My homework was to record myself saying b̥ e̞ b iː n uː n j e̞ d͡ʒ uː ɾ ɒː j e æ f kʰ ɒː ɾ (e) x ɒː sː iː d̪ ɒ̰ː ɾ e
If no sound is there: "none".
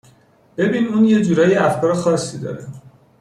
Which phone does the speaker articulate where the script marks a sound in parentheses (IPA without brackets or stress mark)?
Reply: e